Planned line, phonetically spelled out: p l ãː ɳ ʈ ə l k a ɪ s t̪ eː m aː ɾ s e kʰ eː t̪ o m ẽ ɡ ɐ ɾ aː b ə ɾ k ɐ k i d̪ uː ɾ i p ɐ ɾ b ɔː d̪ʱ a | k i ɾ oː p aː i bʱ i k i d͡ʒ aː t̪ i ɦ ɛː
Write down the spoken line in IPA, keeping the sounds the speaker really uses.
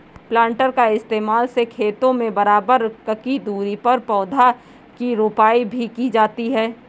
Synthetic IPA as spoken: p l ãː ɳ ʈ ə ɾ k a ɪ s t̪ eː m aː l s e kʰ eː t̪ õ m ẽ b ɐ ɾ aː b ə ɾ k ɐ k i d̪ uː ɾ i p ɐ ɾ p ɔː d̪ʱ a | k i ɾ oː p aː i bʱ i k i d͡ʒ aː t̪ i ɦ ɛː